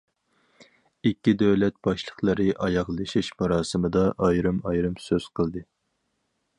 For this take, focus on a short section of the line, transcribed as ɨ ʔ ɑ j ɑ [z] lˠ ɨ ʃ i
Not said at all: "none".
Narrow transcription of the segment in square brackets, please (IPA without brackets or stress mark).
ʁ